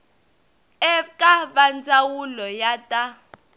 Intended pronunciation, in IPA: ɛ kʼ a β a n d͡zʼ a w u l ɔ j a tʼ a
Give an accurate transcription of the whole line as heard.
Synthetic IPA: ɛ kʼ a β a n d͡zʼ a w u l ɔ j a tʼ a